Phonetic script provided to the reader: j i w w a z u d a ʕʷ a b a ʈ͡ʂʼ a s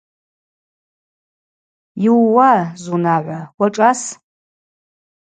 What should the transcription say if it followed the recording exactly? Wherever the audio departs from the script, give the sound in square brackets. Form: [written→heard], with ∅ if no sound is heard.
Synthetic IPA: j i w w a z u [d→n] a ʕʷ a [b→w] a ʈ͡ʂʼ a s